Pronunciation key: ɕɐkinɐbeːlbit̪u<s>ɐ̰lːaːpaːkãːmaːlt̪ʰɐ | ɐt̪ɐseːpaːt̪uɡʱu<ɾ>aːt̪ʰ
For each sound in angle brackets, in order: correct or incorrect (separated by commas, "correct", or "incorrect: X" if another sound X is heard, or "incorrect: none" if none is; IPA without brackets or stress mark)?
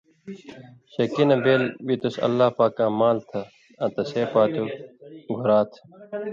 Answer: correct, correct